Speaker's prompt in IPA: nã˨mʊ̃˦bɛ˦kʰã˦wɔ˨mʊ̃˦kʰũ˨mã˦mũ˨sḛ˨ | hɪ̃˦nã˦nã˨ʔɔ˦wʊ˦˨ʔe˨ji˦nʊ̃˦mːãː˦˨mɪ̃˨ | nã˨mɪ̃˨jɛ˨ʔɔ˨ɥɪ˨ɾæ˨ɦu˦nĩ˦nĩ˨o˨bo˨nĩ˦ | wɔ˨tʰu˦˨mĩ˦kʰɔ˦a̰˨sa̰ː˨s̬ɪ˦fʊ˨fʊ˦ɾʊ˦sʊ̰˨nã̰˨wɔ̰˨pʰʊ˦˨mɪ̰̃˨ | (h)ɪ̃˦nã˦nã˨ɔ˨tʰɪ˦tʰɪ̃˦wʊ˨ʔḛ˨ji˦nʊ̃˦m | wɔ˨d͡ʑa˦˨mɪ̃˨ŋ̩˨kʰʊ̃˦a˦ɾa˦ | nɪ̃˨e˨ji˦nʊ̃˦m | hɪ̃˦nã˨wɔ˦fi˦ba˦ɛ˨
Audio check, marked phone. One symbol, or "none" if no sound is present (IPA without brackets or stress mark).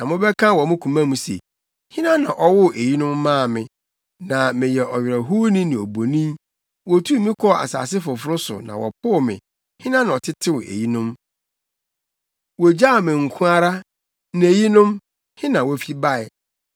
h